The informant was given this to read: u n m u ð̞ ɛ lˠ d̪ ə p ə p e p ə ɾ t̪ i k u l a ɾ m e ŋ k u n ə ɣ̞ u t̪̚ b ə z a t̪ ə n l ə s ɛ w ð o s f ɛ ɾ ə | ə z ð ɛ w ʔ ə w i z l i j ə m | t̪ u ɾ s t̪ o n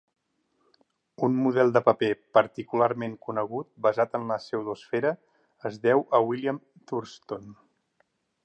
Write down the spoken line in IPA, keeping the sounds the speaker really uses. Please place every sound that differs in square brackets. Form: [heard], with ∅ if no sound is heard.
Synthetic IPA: u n m u ð̞ ɛ lˠ d̪ ə p ə p e p ə ɾ t̪ i k u l a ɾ m e ŋ k u n ə ɣ̞ u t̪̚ b ə z a t̪ ə n l ə s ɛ w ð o s f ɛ ɾ ə | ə z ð ɛ w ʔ ə w i [∅] l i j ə m | t̪ u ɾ s t̪ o n